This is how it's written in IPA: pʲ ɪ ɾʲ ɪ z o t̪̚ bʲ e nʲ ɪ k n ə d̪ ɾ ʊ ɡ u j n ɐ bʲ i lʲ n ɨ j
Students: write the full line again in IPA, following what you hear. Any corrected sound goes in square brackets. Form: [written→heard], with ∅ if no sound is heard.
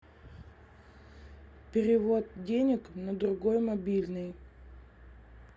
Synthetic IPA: pʲ ɪ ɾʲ ɪ [z→v] o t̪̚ [bʲ→dʲ] e nʲ ɪ k n ə d̪ ɾ ʊ ɡ [u→o] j [n→m] ɐ bʲ i lʲ n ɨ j

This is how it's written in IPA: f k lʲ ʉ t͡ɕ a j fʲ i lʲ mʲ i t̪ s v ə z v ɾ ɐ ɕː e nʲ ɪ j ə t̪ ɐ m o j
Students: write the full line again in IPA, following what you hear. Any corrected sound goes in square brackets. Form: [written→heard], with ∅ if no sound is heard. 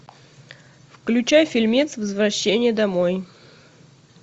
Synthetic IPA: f k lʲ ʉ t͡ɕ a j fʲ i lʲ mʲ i t̪ s v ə z v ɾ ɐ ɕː e nʲ ɪ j ə [t̪→d̪] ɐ m o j

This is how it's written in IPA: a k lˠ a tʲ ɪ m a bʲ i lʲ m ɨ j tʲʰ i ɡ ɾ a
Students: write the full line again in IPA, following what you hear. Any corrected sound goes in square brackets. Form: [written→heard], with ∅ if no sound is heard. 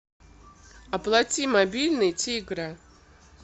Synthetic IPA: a [k→p] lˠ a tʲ [ɪ→i] m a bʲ i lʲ [m→n] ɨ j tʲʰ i ɡ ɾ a

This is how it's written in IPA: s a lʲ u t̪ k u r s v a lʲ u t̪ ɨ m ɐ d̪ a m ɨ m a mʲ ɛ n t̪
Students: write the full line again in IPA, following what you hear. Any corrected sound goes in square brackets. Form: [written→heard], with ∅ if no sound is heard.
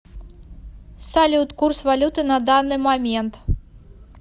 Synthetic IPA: s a lʲ u t̪ k u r s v a lʲ u t̪ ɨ [m→n] ɐ d̪ a [m→n] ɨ m a mʲ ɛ n t̪

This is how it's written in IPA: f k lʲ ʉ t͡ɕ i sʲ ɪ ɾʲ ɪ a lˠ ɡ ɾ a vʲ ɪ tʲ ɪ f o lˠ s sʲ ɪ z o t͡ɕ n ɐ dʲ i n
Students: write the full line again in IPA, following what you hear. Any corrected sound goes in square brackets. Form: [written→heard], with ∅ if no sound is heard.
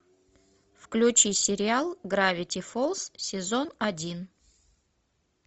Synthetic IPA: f k lʲ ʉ t͡ɕ i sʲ ɪ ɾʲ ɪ a lˠ ɡ ɾ a vʲ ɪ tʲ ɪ f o lˠ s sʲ ɪ z o [t͡ɕ→∅] n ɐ dʲ i n

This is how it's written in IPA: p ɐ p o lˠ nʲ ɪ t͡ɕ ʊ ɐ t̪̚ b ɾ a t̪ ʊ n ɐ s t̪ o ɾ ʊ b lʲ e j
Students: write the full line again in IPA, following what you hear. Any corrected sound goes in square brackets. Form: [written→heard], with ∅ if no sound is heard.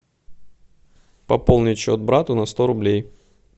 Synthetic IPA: p ɐ p o lˠ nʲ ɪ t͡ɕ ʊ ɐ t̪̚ b ɾ a t̪ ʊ n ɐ s t̪ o ɾ ʊ b lʲ e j

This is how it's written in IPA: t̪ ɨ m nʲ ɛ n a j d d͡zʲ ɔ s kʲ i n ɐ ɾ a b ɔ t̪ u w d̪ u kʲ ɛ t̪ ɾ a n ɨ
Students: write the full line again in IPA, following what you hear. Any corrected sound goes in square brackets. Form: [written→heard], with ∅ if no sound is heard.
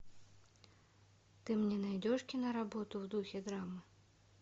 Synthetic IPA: t̪ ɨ m nʲ ɛ n a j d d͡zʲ ɔ [s→ʂ] kʲ i n ɐ ɾ a b ɔ t̪ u w d̪ u [kʲ→xʲ] ɛ [t̪→d̪] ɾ a [n→m] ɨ

